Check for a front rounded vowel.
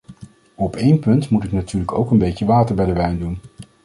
present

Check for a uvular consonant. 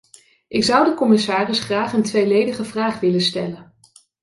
present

